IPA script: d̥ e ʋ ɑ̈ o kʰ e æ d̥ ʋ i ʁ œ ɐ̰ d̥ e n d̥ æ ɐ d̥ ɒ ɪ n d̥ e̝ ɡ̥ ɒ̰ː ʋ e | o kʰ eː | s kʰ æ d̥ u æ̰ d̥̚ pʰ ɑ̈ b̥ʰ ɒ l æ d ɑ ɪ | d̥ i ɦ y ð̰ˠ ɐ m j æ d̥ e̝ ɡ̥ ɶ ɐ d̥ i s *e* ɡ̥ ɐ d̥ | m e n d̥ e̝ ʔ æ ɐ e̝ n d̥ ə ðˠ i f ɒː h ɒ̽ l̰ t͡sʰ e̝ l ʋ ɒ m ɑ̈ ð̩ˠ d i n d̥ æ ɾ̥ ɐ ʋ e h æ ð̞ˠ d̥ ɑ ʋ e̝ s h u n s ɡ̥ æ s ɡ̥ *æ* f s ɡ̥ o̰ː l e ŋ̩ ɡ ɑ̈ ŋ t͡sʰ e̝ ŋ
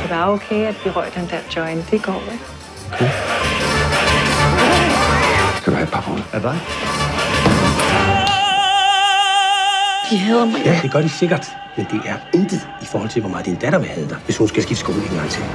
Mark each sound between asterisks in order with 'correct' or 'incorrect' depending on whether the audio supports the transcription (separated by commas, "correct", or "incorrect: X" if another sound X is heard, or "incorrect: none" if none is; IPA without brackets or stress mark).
correct, incorrect: i